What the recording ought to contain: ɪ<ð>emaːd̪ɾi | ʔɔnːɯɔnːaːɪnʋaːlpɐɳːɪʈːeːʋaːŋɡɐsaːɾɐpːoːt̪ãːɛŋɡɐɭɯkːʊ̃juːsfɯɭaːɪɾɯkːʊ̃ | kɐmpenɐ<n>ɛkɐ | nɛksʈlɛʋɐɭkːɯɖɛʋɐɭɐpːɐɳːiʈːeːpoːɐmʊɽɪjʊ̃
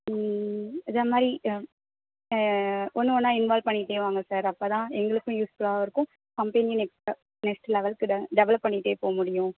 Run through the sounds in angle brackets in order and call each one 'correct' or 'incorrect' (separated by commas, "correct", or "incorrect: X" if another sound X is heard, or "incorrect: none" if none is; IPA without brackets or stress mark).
correct, correct